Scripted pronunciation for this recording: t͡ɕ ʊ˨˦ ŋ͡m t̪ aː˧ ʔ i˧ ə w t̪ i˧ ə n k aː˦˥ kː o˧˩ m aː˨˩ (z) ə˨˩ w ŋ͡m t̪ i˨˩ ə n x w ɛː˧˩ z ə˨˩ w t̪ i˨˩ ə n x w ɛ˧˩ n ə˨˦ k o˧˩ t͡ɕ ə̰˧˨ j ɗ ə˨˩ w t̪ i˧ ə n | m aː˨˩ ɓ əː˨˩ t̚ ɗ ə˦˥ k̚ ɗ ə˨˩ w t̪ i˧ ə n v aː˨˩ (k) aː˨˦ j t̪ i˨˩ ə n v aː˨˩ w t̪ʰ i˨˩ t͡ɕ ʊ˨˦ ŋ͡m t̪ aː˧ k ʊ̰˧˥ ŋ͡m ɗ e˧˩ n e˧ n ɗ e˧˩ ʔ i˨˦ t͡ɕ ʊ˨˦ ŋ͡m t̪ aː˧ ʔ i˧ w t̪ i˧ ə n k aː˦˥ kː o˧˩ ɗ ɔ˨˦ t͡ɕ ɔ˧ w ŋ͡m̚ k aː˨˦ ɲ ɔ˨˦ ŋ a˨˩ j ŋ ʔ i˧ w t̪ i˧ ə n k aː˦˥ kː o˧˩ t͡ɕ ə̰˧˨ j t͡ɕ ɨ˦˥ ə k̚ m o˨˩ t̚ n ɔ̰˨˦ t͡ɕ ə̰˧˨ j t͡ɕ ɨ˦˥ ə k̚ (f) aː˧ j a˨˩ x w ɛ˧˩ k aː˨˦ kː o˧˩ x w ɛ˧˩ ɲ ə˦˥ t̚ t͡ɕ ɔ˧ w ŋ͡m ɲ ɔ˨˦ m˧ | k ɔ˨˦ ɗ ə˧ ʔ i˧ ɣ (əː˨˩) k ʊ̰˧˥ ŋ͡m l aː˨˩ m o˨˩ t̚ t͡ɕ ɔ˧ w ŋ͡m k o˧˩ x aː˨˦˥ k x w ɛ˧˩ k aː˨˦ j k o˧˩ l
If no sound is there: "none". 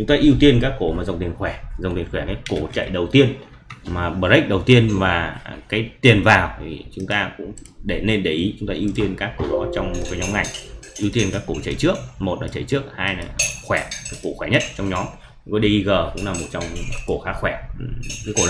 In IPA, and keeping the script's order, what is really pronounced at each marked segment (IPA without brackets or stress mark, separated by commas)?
z, k, h, əː˨˩